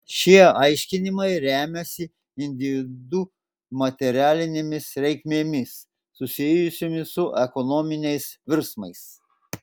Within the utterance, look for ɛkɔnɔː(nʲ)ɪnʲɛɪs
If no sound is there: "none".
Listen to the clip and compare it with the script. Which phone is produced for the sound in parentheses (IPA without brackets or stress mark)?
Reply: mʲ